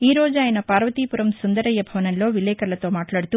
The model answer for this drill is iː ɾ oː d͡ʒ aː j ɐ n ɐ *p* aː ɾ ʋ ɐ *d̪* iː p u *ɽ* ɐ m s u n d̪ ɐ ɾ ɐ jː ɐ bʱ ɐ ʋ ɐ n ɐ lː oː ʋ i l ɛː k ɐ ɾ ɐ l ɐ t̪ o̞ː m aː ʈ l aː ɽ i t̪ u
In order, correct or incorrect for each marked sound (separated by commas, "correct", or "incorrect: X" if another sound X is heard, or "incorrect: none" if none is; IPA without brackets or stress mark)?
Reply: correct, incorrect: t̪, incorrect: ɾ